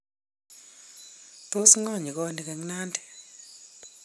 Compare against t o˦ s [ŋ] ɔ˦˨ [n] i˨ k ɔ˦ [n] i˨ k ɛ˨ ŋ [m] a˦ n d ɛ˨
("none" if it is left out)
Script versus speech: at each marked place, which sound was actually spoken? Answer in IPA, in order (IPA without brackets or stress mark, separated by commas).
ŋ, ɲ, n, n